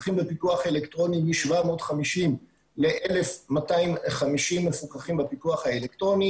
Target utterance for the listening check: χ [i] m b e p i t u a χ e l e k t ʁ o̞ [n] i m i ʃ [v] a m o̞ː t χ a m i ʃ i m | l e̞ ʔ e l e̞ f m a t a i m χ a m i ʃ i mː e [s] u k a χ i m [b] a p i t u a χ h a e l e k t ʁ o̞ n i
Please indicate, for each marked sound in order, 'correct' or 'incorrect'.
correct, correct, correct, incorrect: f, correct

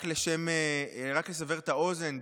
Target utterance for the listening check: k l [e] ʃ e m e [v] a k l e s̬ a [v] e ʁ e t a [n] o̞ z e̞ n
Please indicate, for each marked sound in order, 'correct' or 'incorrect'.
correct, incorrect: ʁ, correct, incorrect: none

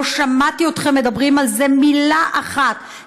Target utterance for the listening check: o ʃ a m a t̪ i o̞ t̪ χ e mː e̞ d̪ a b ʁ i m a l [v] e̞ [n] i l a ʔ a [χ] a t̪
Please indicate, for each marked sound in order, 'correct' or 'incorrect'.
incorrect: z, incorrect: m, correct

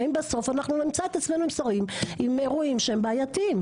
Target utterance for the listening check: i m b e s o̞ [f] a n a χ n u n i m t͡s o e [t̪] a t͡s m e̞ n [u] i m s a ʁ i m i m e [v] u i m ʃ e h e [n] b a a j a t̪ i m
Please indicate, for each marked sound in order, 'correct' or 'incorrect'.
correct, correct, correct, incorrect: ʁ, incorrect: m

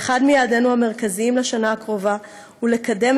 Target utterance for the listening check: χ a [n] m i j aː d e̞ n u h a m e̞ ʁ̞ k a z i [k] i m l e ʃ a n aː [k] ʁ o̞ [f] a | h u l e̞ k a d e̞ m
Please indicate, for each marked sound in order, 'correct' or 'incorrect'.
incorrect: d, incorrect: none, correct, incorrect: v

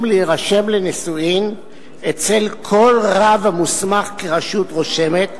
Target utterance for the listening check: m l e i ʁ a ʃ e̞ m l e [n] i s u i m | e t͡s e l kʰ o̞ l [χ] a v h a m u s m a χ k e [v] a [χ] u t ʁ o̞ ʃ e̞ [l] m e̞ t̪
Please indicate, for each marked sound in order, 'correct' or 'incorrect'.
correct, incorrect: ʁ, incorrect: ʁ, incorrect: ʃ, incorrect: none

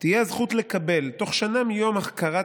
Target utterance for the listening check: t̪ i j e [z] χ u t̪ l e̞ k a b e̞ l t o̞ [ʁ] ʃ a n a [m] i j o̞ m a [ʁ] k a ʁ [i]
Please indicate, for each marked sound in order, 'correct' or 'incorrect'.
correct, incorrect: χ, correct, incorrect: χ, incorrect: a

